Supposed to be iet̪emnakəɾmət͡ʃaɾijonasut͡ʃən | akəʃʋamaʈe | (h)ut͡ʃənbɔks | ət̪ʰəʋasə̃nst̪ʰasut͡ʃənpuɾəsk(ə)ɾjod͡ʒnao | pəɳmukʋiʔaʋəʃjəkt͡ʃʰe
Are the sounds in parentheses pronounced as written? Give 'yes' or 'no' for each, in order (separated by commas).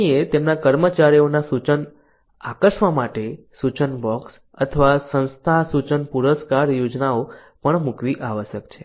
no, no